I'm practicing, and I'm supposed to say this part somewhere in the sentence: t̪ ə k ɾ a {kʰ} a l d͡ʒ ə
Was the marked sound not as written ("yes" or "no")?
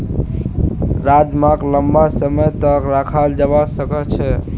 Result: no